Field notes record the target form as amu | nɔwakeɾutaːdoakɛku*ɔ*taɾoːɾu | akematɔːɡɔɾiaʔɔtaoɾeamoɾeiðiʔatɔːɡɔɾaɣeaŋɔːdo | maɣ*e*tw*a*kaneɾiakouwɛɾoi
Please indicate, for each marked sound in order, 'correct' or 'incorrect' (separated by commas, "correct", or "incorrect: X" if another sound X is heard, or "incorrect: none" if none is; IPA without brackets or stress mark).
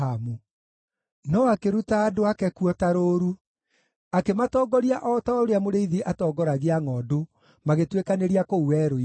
correct, correct, incorrect: e